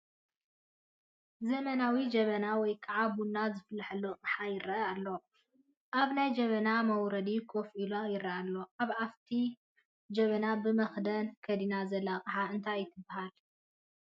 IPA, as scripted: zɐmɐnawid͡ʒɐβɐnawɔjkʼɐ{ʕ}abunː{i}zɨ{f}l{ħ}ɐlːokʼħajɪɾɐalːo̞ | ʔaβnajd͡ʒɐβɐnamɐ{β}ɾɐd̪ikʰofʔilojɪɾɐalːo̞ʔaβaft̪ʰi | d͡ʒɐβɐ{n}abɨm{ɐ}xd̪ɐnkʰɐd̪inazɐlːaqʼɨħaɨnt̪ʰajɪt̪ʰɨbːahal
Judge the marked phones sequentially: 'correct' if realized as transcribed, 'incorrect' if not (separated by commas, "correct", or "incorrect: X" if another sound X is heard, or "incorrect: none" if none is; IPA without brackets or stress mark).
correct, incorrect: a, correct, correct, incorrect: w, correct, correct